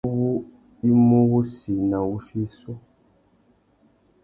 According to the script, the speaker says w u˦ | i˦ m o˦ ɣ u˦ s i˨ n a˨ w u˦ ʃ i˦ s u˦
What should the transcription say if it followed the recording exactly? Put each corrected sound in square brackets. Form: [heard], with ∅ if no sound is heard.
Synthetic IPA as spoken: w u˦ | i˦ m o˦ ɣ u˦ s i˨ n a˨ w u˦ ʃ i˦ s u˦